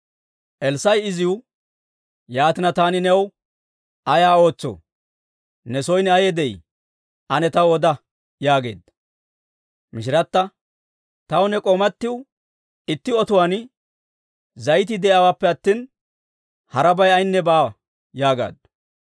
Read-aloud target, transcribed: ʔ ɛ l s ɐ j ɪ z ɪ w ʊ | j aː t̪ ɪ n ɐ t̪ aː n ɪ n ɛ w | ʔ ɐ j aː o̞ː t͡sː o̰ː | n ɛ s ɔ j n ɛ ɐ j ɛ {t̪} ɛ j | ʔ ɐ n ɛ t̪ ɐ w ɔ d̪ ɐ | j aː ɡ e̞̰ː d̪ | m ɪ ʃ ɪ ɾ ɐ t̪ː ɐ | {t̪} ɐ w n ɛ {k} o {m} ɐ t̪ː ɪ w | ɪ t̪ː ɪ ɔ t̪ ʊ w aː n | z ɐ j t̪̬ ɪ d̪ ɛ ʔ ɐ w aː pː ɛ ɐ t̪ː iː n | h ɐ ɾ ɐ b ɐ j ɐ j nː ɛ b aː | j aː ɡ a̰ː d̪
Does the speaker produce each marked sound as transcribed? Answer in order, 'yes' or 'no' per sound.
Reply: no, yes, no, yes

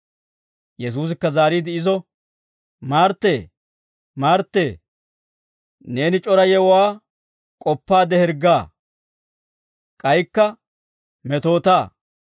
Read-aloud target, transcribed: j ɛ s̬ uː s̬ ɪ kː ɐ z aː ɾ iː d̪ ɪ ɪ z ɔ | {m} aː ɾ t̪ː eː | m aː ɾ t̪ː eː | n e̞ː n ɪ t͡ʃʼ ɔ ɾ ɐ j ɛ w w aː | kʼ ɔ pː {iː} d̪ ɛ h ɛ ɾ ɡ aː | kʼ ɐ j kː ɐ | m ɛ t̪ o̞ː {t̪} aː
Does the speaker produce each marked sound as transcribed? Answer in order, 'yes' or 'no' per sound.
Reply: yes, no, yes

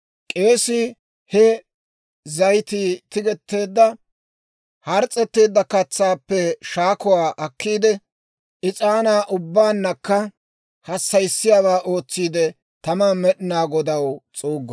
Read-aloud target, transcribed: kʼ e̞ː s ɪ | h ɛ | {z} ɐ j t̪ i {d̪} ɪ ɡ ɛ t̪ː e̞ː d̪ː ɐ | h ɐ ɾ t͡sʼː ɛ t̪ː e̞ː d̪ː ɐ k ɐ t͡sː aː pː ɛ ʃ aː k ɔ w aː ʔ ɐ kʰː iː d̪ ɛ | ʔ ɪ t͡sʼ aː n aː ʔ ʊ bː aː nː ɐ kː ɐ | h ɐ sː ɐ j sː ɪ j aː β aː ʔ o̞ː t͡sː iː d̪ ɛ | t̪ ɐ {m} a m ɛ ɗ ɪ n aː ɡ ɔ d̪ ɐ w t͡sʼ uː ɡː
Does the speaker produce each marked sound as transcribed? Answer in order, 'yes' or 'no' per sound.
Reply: yes, no, yes

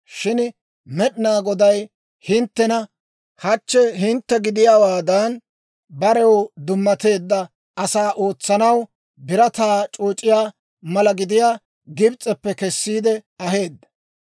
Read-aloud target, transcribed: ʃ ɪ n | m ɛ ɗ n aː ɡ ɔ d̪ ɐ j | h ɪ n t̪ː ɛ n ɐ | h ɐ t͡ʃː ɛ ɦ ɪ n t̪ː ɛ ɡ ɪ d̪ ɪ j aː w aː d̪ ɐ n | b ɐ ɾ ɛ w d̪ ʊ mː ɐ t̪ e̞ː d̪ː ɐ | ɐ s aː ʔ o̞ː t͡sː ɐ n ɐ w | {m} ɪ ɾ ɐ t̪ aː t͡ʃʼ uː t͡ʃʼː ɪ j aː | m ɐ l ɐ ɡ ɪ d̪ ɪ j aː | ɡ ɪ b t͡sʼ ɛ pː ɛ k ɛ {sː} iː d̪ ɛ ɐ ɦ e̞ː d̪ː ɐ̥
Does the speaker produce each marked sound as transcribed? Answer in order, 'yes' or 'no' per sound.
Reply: no, yes

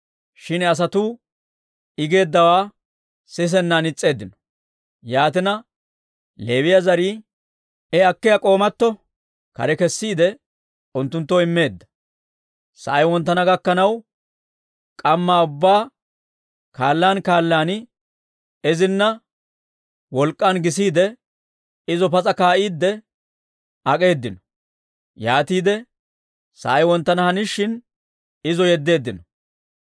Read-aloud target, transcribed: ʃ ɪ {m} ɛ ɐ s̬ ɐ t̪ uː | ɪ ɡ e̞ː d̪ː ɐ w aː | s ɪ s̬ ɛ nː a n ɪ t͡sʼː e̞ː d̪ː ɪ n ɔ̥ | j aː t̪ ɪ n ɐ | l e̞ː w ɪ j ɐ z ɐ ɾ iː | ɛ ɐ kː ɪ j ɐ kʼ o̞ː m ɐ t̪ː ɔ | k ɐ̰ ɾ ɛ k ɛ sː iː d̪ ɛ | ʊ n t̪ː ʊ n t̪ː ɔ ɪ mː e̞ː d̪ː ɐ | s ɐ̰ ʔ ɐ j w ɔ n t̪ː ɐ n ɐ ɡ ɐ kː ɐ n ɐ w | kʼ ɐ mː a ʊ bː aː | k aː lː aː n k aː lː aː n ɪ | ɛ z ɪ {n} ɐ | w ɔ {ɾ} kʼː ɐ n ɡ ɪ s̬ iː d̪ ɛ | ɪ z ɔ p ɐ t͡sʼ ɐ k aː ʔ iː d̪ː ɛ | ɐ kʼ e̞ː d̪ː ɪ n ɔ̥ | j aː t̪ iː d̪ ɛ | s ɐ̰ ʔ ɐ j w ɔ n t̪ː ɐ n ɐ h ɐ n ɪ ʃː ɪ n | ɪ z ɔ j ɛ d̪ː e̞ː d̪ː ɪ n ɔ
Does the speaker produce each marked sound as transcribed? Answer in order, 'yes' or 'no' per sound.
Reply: no, no, no

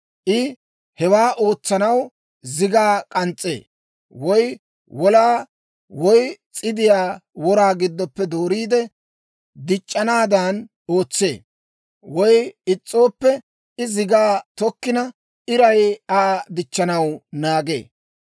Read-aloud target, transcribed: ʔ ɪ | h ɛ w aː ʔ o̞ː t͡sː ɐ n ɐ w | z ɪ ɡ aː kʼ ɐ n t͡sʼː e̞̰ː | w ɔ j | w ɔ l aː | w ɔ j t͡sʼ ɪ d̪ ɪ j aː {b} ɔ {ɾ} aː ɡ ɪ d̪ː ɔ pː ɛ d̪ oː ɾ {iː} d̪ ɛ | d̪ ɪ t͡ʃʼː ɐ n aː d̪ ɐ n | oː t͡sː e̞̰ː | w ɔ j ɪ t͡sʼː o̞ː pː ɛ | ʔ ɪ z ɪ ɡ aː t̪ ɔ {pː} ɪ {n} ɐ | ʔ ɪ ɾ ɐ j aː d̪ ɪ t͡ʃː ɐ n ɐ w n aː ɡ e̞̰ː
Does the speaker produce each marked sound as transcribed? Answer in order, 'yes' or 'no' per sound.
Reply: no, yes, yes, no, yes

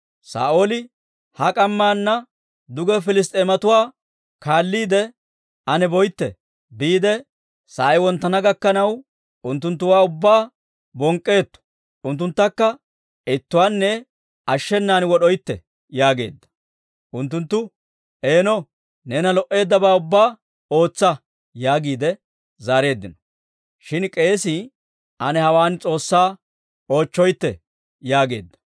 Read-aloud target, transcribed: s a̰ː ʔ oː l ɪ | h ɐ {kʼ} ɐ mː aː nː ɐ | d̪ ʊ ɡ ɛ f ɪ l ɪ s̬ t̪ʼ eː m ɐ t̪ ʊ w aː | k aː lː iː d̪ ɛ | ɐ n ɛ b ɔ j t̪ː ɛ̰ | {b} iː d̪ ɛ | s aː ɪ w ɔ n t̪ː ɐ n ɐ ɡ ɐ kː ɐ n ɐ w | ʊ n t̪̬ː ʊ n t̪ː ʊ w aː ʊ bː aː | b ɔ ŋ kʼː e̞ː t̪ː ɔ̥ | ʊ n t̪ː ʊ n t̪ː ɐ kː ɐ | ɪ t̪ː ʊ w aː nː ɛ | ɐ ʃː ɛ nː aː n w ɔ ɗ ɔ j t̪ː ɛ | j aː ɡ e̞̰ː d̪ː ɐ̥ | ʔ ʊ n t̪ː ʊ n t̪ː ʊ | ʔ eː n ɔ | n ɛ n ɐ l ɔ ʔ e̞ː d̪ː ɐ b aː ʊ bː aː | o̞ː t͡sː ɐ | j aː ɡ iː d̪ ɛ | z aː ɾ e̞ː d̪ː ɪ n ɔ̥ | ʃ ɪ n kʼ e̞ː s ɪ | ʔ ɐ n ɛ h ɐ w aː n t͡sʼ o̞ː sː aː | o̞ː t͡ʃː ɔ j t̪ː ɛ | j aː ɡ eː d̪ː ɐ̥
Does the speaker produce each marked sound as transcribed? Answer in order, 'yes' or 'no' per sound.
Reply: yes, yes

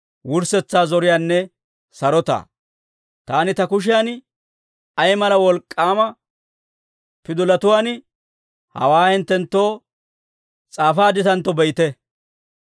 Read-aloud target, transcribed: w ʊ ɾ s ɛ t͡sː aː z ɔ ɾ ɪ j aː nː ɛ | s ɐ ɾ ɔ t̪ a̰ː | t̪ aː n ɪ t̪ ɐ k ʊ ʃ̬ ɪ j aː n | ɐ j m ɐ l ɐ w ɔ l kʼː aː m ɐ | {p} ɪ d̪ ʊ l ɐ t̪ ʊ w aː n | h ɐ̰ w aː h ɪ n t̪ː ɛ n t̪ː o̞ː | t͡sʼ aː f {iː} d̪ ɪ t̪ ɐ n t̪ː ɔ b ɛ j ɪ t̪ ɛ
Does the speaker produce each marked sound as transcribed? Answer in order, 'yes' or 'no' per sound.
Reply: yes, no

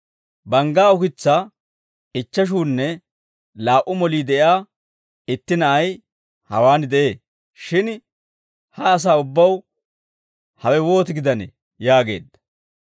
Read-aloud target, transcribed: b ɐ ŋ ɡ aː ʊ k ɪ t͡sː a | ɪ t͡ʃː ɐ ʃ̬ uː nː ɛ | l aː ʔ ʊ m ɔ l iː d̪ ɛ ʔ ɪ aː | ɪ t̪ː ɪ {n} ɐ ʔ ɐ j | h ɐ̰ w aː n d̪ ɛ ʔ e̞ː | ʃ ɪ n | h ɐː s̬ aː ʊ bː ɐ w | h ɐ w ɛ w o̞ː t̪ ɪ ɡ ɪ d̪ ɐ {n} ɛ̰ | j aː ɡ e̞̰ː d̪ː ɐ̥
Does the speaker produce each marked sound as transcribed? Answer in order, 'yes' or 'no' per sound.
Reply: yes, yes

